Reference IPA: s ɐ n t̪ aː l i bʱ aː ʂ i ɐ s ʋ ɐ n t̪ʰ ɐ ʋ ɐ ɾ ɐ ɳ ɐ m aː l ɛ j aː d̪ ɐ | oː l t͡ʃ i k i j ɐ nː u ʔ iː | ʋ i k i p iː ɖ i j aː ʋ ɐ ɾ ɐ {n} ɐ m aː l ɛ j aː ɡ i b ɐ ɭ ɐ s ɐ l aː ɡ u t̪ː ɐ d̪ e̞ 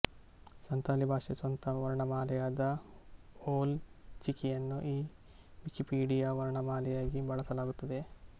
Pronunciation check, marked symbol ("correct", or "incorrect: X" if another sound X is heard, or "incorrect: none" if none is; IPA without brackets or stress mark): incorrect: ɳ